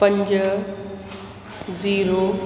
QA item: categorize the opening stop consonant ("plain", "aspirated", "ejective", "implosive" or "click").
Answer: plain